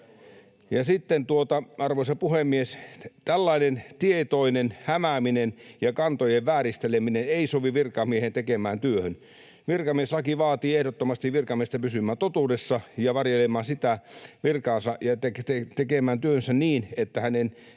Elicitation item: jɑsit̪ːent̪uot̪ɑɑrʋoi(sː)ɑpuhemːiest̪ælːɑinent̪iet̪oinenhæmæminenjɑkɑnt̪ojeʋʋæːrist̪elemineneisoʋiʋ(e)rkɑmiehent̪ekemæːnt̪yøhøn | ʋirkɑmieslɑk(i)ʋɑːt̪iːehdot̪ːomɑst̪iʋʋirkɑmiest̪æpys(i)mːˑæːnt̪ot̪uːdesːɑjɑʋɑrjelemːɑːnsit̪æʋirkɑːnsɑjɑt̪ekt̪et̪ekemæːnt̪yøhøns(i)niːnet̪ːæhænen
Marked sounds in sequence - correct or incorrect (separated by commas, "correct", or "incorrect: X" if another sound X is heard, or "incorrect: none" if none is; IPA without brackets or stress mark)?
incorrect: s, incorrect: i, correct, incorrect: y, incorrect: æ